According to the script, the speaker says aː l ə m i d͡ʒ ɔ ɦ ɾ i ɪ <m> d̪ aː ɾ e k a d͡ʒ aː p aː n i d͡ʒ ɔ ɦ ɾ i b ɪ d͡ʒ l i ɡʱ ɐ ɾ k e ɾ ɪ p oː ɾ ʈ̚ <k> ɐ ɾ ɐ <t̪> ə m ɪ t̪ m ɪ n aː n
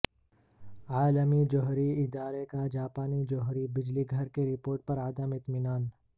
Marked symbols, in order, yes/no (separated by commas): no, no, no